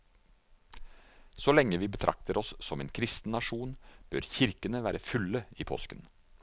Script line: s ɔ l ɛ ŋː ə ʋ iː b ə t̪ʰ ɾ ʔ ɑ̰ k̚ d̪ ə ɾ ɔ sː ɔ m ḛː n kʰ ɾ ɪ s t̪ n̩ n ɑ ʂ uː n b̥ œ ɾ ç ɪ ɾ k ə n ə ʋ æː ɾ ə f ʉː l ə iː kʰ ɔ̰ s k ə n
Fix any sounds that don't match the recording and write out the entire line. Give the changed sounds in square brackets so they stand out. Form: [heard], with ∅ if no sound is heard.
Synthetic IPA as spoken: s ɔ l ɛ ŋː ə ʋ iː b ə t̪ʰ ɾ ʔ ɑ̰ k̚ [t̪] ə ɾ ɔ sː ɔ m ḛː n kʰ ɾ ɪ s t̪ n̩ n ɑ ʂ uː n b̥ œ ɾ ç ɪ ɾ k ə n ə ʋ æː ɾ ə f [ʉ] l ə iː [pʰ] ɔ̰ s k ə n